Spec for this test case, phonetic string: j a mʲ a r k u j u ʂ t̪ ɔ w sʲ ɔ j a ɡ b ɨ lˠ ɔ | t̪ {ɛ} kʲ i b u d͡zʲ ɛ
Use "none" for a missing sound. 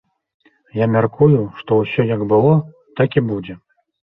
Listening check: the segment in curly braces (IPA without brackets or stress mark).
a